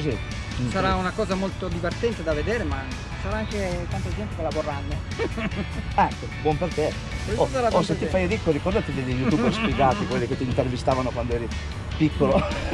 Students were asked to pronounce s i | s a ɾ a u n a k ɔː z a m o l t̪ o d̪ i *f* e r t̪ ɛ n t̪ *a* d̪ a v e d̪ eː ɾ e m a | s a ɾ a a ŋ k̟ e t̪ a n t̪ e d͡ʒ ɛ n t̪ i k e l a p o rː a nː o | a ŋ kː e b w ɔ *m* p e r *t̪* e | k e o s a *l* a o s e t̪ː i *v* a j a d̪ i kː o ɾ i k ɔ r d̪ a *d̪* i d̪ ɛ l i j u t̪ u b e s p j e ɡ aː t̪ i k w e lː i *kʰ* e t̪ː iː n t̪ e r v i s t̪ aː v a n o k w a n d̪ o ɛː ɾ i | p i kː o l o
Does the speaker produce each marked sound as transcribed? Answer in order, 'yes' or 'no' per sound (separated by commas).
no, no, yes, yes, no, no, no, no